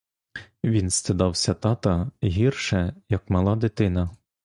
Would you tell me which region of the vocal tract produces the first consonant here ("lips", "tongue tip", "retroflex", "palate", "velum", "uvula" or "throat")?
lips